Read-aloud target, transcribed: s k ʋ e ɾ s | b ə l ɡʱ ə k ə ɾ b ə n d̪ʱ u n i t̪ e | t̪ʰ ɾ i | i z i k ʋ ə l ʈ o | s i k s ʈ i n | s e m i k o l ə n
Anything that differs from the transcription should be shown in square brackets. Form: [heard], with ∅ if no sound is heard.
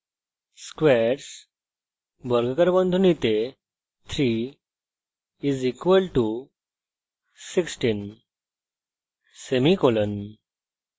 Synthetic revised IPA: s k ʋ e ɾ s | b ə [ɾ] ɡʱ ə k ə ɾ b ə n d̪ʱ u n i t̪ e | t̪ʰ ɾ i | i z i k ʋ ə l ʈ [u] | s i k s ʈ i n | s e m i k o l ə n

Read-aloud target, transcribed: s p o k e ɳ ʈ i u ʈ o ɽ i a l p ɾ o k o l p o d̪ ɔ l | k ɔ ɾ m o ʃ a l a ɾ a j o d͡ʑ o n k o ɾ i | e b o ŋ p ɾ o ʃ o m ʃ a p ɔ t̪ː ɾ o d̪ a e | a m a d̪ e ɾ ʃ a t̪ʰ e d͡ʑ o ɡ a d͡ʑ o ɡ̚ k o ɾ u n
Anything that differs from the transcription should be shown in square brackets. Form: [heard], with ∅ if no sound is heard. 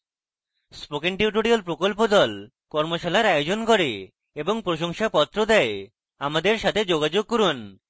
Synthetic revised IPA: s p o k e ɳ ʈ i u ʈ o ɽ i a l p ɾ o k o l p o d̪ ɔ l | k ɔ ɾ m o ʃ a l a ɾ a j o d͡ʑ o n k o ɾ [e] | e b o ŋ p ɾ o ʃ o [ŋ] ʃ a p ɔ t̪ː ɾ o d̪ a e | a m a d̪ e ɾ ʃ a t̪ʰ e d͡ʑ o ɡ a d͡ʑ o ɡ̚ k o ɾ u n

